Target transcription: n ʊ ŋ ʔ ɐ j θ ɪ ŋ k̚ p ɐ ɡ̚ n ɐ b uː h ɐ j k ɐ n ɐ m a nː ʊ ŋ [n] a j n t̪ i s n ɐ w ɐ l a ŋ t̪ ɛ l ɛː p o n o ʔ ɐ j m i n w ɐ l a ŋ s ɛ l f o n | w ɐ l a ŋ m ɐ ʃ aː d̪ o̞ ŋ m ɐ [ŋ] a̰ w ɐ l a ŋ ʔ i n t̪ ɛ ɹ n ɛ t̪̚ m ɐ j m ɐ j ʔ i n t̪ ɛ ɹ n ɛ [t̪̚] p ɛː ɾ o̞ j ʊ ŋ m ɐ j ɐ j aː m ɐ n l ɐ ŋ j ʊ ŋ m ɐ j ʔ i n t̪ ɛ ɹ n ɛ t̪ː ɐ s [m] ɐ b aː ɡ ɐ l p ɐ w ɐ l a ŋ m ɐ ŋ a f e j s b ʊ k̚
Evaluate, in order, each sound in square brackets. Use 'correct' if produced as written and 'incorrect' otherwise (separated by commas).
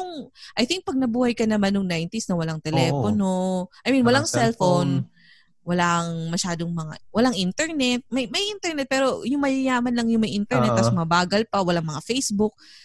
correct, correct, correct, correct